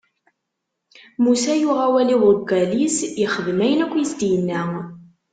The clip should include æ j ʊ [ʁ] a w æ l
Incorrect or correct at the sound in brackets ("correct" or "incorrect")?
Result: correct